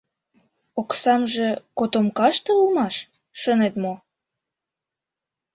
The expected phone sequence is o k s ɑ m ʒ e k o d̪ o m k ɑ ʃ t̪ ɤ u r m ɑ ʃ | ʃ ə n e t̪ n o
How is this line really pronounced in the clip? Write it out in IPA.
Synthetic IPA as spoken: o k s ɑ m ʒ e k o t̪ o m k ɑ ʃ t̪ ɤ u l m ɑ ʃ | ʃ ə n e t̪ m o